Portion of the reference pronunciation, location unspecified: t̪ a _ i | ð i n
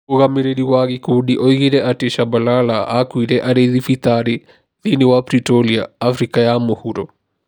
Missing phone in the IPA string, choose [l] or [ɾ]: ɾ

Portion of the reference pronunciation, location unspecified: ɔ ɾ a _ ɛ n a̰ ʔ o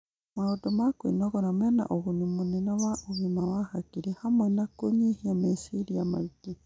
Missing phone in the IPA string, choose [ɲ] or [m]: m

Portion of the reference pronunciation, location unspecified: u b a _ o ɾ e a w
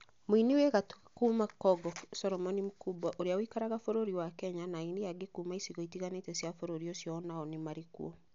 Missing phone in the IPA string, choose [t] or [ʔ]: ʔ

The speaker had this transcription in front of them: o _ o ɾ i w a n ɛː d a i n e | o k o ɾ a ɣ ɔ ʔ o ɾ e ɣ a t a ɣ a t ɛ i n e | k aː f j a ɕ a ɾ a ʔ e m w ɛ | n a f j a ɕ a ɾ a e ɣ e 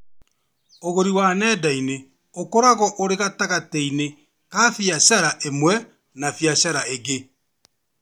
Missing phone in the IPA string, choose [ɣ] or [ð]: ɣ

